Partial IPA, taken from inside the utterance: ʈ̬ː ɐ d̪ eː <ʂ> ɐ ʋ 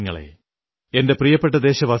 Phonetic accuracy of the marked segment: incorrect: ɕ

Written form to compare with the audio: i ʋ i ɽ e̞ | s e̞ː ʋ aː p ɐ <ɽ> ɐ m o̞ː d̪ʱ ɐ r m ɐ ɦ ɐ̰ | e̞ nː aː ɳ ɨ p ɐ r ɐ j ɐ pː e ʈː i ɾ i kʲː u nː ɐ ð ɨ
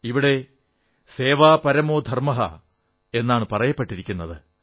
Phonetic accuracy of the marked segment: incorrect: ɾ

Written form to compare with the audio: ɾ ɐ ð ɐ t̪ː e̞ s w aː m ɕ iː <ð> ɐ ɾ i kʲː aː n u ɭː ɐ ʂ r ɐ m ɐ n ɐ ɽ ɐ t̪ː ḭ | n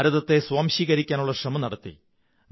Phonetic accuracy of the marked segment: incorrect: ɣ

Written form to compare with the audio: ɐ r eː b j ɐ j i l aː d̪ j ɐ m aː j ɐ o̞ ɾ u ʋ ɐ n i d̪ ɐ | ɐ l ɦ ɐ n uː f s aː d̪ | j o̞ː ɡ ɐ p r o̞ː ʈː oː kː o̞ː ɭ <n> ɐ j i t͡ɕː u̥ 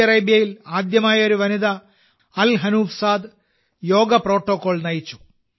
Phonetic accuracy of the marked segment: correct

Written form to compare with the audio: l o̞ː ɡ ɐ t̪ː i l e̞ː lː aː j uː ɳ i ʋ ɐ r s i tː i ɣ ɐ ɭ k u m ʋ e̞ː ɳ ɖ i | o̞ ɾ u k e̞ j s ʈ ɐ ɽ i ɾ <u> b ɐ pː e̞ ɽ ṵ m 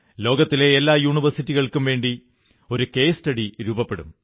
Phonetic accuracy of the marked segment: incorrect: uː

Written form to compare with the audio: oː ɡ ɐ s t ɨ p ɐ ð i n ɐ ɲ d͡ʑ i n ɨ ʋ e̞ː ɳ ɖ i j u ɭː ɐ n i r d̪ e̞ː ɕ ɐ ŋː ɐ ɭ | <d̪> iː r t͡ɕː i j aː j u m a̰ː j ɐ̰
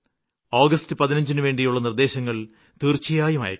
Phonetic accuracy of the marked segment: incorrect: t̪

